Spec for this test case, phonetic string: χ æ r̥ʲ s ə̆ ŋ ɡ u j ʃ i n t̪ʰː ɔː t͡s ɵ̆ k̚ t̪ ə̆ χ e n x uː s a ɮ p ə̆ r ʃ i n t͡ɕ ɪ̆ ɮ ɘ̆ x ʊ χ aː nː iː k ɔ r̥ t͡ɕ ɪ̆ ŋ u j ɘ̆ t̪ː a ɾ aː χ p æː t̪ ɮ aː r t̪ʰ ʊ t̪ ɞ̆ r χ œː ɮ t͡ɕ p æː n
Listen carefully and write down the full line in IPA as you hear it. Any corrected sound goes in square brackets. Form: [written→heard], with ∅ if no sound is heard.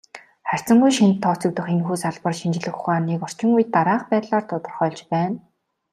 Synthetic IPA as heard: χ æ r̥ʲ [s→t͡s] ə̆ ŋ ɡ u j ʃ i n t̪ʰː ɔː t͡s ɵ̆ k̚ t̪ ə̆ χ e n x uː s a ɮ p ə̆ r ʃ i n t͡ɕ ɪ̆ ɮ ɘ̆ x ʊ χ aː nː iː k ɔ r̥ t͡ɕ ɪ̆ ŋ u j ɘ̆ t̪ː a ɾ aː χ p æː t̪ ɮ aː r t̪ʰ ʊ t̪ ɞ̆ r χ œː ɮ t͡ɕ p æː n